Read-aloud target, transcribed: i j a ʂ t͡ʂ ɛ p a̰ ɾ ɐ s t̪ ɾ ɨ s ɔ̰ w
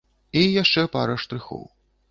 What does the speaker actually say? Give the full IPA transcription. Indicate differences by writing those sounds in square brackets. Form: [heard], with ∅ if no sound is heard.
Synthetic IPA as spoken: i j a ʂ t͡ʂ ɛ p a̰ ɾ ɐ [ʂ] t̪ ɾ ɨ [x] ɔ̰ w